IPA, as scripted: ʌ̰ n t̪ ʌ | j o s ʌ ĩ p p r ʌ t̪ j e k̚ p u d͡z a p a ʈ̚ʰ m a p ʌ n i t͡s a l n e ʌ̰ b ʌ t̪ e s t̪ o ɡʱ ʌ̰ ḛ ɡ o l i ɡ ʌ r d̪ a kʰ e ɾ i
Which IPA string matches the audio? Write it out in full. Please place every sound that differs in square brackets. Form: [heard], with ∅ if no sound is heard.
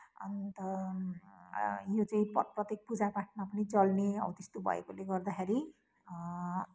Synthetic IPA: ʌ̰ n t̪ ʌ | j o [t͡s] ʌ ĩ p p r ʌ t̪ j e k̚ p u d͡z a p a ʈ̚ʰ m a p ʌ n i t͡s [ʌ] l n e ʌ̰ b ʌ t̪ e s t̪ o [bʱ] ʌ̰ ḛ [k] o l [e] ɡ ʌ r d̪ a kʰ e ɾ i